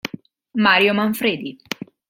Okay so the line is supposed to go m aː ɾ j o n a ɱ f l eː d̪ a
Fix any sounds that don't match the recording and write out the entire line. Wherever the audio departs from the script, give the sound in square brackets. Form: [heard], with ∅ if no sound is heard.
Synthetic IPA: m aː ɾ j o [m] a ɱ f [ɾ] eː d̪ [i]